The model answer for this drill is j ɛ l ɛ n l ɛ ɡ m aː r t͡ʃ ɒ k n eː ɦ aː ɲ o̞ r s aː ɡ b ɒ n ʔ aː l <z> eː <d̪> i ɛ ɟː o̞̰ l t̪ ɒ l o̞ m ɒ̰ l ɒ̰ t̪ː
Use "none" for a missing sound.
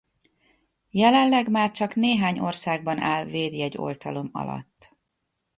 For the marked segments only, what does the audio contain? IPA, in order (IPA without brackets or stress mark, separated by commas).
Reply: v, d̪